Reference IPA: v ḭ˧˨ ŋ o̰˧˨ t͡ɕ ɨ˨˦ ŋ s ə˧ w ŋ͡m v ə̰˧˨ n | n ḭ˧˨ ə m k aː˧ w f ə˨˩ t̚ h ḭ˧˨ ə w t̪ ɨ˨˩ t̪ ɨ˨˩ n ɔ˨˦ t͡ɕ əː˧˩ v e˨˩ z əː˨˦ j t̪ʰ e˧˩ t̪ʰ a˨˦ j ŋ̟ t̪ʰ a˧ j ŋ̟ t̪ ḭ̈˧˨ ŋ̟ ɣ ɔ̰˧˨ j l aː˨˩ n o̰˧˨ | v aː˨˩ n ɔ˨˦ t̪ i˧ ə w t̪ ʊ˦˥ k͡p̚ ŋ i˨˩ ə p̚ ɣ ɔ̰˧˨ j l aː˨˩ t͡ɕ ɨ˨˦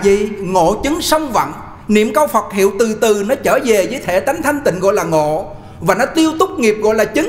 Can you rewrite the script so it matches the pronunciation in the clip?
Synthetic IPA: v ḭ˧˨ ŋ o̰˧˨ t͡ɕ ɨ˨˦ ŋ s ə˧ w ŋ͡m v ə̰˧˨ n | n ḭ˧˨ ə m k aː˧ w f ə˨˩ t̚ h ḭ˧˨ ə w t̪ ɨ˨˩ t̪ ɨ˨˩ n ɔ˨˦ t͡ɕ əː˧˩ v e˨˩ z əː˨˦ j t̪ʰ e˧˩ t̪ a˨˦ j ŋ̟ t̪ʰ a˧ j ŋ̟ t̪ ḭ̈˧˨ ŋ̟ ɣ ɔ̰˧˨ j l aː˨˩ ŋ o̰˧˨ | v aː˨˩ n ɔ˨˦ t̪ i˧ ə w t̪ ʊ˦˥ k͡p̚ ŋ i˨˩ ə p̚ ɣ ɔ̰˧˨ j l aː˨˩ t͡ɕ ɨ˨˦